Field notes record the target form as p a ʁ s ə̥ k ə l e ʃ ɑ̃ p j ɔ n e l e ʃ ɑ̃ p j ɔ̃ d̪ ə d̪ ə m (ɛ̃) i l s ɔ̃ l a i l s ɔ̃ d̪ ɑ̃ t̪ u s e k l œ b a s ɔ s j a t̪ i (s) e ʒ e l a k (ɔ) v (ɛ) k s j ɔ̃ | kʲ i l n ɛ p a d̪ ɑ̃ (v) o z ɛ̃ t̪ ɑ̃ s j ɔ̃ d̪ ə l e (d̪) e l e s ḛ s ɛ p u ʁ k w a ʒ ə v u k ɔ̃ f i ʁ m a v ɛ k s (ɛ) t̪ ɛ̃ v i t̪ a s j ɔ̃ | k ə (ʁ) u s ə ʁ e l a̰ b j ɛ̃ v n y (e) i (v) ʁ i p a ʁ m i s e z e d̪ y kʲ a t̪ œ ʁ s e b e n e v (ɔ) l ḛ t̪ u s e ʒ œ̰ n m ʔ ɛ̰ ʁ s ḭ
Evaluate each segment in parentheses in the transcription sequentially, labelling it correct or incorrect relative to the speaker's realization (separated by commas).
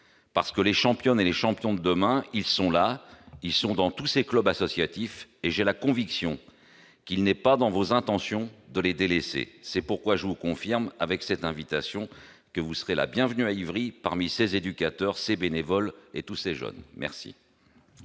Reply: correct, incorrect, incorrect, incorrect, correct, correct, correct, incorrect, incorrect, correct, correct